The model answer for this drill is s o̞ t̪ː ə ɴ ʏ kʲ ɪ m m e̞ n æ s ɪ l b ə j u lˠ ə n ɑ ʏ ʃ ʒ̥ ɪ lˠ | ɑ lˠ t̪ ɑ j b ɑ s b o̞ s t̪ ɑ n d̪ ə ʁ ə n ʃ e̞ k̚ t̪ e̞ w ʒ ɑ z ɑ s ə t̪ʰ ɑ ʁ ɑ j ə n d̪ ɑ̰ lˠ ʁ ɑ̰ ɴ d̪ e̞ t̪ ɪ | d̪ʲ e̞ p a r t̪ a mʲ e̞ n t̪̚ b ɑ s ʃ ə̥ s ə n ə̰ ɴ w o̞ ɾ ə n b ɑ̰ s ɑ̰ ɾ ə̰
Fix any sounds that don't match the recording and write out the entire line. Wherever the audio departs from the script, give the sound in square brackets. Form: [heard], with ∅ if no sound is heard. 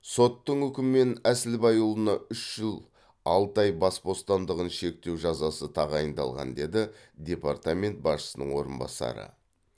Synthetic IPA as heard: s o̞ t̪ː ə ɴ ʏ kʲ ɪ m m e̞ n æ s ɪ l b [ɑ] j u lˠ ə n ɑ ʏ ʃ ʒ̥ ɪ lˠ | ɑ lˠ t̪ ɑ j b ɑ s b o̞ s t̪ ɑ n d̪ ə ʁ ə n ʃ e̞ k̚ t̪ e̞ w ʒ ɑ z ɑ s ə t̪ʰ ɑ ʁ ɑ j ə n d̪ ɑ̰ lˠ ʁ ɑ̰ [n] d̪ e̞ [d̪] ɪ | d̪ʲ e̞ p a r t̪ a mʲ e̞ n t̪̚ b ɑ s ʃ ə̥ s ə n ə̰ ɴ w o̞ ɾ ə n b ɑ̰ s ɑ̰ ɾ ə̰